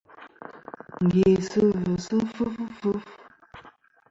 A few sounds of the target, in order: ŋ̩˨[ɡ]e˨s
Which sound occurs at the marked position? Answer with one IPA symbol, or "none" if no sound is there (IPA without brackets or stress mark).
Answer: ɡ